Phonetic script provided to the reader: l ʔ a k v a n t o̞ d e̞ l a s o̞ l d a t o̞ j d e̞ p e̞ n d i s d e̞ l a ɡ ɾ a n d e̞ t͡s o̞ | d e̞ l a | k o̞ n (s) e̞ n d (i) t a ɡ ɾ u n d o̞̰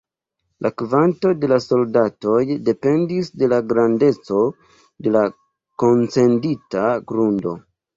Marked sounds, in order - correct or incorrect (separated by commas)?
incorrect, correct